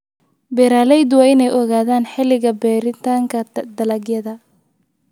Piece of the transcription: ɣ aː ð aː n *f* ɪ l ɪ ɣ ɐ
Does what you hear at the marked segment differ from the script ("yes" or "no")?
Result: yes